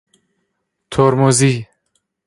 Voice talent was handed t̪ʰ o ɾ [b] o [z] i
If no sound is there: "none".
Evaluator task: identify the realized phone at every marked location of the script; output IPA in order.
m, z

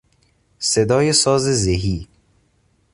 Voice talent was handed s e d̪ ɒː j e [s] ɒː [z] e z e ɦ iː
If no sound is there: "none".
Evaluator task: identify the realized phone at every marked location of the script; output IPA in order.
s, z

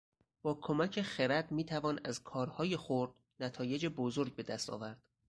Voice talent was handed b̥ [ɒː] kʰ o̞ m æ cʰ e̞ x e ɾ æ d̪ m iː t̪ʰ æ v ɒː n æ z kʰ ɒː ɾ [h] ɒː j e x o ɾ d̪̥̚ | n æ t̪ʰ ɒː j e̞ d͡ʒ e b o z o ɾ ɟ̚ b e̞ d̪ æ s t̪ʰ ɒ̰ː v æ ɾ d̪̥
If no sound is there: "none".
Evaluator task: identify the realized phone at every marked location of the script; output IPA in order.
ɒː, h

